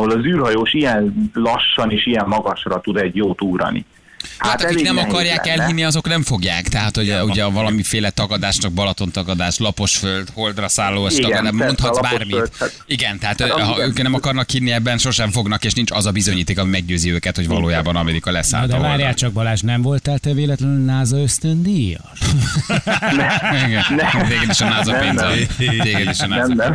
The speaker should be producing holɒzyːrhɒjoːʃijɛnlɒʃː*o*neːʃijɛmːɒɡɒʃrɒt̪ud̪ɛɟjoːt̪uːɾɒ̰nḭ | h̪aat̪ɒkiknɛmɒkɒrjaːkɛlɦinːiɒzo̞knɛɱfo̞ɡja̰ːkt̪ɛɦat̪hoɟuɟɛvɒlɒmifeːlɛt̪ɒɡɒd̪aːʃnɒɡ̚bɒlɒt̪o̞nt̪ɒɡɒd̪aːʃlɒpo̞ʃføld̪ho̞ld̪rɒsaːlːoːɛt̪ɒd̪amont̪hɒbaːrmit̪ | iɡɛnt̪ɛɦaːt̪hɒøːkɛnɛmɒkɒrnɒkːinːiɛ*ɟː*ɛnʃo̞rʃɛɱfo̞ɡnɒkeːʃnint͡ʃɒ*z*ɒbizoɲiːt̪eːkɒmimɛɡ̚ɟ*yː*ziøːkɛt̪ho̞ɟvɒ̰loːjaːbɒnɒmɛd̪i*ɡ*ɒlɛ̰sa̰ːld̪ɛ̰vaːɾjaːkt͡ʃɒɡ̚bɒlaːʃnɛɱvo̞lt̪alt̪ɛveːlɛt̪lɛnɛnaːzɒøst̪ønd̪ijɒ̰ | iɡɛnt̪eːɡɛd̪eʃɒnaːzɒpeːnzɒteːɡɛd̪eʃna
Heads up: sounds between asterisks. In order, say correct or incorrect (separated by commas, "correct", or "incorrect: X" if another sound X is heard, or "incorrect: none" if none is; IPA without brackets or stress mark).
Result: incorrect: ɒ, incorrect: bː, correct, incorrect: øː, incorrect: k